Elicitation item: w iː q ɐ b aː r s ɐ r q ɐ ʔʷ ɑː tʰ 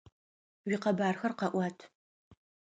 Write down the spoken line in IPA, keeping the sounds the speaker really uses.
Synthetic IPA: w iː q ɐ b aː r x ɐ r q ɐ ʔʷ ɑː tʰ

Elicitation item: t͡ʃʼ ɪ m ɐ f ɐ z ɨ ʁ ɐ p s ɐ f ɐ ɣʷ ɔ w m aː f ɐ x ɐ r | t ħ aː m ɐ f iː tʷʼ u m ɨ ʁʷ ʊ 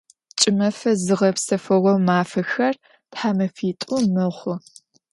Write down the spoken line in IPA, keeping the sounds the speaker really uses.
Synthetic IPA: t͡ʃʼ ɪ m ɐ f ɐ z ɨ ʁ ɐ p s ɐ f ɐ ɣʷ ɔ w m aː f ɐ x ɐ r | t ħ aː m ɐ f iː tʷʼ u m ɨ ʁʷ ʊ

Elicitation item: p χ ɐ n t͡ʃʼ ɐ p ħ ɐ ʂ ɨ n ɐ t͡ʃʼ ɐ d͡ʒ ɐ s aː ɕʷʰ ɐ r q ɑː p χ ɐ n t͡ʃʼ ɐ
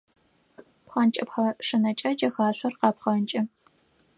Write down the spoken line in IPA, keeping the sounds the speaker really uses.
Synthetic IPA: p χ ɐ n t͡ʃʼ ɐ p ħ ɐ ʂ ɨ n ɐ t͡ʃʼ ɐ d͡ʒ ɐ x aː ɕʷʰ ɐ r q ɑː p χ ɐ n t͡ʃʼ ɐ

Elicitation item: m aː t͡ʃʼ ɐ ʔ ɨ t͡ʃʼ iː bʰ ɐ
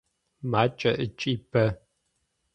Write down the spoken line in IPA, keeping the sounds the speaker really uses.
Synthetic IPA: m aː t͡ʃʼ ɐ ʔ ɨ t͡ʃʼ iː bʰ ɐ

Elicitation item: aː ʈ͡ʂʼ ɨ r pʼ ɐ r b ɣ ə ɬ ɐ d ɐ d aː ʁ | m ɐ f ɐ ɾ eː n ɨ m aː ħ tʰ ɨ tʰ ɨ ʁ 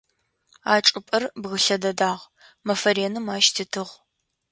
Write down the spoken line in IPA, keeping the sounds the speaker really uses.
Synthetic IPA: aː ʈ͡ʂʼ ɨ pʼ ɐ r b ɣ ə ɬ ɐ d ɐ d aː ʁ | m ɐ f ɐ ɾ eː n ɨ m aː ʃ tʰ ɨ tʰ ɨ ʁ

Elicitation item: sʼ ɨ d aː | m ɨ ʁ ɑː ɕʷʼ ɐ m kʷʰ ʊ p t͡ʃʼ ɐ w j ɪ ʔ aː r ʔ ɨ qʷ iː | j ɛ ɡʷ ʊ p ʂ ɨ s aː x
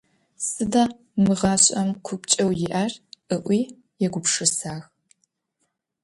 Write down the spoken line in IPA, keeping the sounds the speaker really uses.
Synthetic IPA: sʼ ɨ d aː | m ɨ ʁ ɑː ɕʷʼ ɐ m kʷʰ ʊ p t͡ʃʼ ɐ w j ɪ ʔ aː r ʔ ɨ ʔʷ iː | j ɛ ɡʷ ʊ p ʂ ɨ s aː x

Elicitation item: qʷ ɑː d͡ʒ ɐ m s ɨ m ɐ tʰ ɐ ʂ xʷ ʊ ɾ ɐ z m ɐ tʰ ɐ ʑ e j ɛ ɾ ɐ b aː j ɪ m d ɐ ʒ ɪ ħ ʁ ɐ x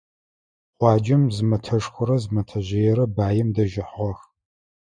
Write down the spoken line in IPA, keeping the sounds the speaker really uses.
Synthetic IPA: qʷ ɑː d͡ʒ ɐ m z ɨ m ɐ tʰ ɐ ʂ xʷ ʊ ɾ ɐ z m ɐ tʰ ɐ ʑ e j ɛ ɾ ɐ b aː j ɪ m d ɐ ʒ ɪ ħ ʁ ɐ x

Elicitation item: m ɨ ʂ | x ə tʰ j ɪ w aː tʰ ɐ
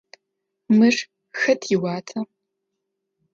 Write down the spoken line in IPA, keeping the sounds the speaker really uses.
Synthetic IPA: m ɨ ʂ | x ɐ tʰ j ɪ w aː tʰ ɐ

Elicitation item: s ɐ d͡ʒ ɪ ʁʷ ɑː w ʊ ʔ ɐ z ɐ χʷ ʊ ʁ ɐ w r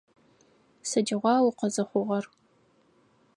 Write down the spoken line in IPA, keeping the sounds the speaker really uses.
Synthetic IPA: s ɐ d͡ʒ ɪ ʁʷ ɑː w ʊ q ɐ z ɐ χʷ ʊ ʁ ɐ r

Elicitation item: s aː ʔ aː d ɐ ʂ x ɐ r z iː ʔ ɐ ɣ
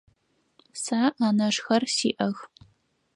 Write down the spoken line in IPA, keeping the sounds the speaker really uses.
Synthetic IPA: s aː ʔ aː n ɐ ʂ x ɐ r s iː ʔ ɐ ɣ

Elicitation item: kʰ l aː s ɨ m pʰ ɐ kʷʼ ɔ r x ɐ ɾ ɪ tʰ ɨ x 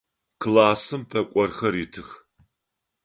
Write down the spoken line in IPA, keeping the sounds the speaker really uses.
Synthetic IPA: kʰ l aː s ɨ m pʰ ɐ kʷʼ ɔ r x ɐ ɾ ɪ tʰ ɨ x

